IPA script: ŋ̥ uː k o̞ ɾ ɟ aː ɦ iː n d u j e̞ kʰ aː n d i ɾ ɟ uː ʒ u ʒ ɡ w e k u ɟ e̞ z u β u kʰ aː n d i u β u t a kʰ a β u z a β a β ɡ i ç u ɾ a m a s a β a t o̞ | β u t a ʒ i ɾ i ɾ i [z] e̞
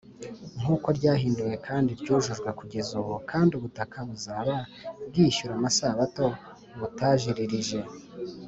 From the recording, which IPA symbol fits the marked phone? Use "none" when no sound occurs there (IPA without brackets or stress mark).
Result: ʒ